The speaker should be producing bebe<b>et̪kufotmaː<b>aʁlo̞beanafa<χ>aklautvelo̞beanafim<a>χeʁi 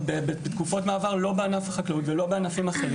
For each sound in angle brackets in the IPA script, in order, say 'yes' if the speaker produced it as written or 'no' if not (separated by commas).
yes, no, yes, yes